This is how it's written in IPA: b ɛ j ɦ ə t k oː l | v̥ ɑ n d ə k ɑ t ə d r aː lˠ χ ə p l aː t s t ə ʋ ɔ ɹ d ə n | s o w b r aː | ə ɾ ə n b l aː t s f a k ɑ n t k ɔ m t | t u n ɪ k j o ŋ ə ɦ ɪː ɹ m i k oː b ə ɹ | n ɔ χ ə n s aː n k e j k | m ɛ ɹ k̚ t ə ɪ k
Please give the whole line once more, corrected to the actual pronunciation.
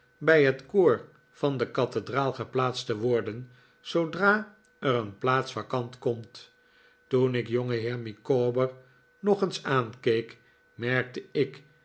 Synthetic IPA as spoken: b ɛ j ɦ ə t k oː ɹ | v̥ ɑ n d ə k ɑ t ə d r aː lˠ χ ə p l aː t s t ə ʋ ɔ ɹ d ə n | s o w d r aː | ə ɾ ə n p l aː t s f a k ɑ n t k ɔ m t | t u n ɪ k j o ŋ ə ɦ ɪː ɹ m i k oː b ə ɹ | n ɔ χ ə n s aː n k e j k | m ɛ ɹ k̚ t ə ɪ k